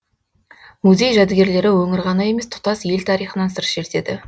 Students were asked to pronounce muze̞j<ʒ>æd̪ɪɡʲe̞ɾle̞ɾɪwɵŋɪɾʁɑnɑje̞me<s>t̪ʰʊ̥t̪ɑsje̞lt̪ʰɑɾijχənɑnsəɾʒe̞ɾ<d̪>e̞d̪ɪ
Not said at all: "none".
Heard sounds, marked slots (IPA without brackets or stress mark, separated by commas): ʒ, s, t̪